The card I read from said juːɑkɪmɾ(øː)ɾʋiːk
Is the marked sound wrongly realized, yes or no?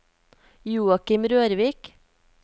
no